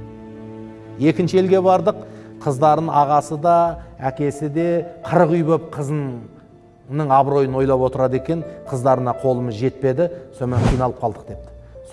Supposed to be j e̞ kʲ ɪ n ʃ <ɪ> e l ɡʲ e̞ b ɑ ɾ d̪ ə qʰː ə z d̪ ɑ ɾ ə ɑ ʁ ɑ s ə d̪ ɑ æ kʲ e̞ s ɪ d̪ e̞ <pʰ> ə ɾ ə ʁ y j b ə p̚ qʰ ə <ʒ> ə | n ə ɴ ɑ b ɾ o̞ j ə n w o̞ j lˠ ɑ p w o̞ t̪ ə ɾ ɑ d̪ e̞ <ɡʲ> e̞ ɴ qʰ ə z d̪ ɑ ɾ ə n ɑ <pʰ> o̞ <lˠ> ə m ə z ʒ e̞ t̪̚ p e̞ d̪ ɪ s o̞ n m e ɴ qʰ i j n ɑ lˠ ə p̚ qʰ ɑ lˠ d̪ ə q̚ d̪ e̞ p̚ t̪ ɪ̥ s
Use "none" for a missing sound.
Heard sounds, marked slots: ɪ, qʰ, z, kʲ, qʰ, lˠ

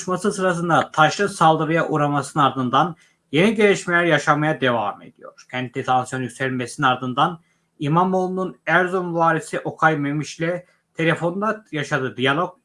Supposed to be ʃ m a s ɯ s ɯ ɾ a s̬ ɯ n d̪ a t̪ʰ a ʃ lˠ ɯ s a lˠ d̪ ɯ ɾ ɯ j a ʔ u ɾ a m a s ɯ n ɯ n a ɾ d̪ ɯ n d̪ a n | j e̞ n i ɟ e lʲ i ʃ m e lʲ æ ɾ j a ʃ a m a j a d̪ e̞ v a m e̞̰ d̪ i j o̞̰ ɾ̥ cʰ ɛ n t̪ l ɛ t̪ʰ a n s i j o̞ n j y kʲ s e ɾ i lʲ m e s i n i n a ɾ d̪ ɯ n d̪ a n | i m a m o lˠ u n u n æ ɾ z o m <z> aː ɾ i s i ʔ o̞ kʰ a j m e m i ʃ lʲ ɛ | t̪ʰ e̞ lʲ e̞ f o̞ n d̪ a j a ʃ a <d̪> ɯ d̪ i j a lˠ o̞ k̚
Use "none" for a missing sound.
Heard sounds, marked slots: v, d̪

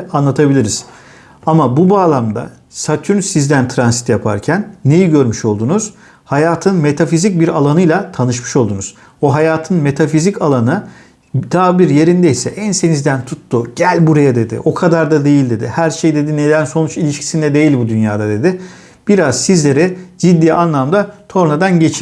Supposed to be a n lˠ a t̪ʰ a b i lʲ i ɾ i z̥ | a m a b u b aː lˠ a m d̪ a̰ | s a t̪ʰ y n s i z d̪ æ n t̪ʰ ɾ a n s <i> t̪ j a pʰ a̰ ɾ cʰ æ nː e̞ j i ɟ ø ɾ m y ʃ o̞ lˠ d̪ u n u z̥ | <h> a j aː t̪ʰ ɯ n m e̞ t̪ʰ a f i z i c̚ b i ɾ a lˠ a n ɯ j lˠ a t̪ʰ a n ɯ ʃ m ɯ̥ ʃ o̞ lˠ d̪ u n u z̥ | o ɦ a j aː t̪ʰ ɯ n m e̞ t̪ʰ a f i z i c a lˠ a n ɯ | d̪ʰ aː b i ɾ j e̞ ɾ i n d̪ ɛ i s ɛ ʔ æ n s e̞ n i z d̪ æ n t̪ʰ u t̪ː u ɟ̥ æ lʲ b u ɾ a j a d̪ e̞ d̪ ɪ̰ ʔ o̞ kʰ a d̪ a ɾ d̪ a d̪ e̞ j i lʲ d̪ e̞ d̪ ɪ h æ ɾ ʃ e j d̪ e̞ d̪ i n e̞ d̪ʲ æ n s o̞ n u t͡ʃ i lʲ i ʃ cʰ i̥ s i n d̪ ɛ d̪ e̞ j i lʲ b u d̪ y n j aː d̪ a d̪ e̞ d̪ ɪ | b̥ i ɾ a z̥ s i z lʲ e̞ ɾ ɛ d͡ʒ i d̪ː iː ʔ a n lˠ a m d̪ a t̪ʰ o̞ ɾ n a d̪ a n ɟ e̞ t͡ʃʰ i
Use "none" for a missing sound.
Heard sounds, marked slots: i, h

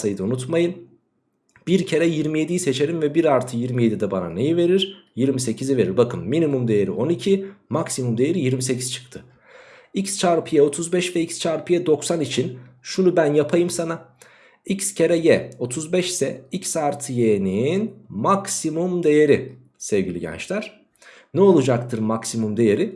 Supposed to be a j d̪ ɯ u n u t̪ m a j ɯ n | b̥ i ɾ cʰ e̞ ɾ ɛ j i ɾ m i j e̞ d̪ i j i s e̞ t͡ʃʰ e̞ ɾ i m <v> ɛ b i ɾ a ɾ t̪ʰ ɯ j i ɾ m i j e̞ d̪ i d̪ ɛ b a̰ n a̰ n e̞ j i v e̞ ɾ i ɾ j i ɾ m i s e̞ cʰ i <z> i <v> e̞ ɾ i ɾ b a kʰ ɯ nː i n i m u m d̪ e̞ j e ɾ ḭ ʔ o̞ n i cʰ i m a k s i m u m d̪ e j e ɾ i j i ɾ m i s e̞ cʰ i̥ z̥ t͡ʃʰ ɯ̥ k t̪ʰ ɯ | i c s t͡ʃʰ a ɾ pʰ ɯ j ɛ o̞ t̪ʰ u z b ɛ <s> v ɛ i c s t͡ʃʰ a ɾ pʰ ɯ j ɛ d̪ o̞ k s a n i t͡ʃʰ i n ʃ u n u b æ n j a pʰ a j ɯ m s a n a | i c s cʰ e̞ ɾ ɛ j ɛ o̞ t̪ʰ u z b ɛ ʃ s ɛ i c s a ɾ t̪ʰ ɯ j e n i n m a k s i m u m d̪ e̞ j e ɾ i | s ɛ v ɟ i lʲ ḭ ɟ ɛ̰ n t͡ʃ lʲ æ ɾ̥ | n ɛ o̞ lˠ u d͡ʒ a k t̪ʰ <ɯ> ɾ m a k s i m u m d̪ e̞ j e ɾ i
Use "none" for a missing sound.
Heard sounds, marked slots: v, z, v, ʃ, ɯ

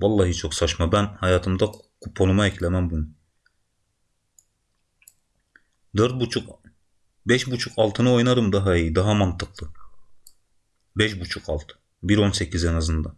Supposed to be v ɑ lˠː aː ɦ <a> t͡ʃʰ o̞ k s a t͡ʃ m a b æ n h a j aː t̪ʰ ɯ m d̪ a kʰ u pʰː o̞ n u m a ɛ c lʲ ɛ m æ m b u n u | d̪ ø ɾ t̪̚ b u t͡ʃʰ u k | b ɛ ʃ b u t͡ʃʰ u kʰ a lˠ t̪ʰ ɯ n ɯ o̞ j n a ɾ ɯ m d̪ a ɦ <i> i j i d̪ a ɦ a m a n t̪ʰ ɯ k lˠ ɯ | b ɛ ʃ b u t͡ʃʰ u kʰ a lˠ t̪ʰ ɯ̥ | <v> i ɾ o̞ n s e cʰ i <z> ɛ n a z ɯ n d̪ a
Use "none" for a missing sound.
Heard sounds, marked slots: i, a, b, z

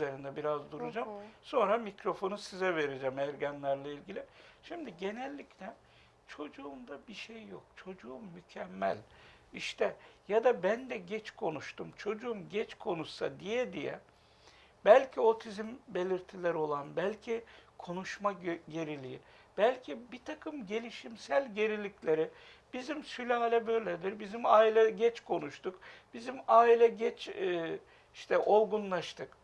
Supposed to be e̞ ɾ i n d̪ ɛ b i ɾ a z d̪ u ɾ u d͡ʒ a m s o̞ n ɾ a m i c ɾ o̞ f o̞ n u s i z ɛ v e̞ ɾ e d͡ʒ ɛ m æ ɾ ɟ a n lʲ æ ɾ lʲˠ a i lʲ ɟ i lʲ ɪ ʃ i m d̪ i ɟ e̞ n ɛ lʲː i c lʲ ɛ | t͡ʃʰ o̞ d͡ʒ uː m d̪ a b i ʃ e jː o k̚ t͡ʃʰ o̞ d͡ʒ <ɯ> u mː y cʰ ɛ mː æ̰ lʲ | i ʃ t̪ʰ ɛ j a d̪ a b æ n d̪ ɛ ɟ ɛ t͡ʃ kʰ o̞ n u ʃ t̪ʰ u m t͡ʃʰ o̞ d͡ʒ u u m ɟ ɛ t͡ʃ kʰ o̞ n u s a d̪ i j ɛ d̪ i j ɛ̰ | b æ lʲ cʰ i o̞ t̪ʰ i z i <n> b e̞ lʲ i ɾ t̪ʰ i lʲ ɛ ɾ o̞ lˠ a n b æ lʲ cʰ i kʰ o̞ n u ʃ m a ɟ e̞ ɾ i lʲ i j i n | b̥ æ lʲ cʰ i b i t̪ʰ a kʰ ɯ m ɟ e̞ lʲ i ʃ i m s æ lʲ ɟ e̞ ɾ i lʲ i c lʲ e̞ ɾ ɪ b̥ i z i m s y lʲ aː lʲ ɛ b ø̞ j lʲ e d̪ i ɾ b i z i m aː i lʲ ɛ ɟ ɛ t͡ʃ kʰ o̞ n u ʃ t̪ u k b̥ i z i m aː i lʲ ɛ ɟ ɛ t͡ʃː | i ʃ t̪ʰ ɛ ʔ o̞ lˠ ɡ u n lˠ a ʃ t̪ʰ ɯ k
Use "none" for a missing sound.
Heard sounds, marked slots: u, m

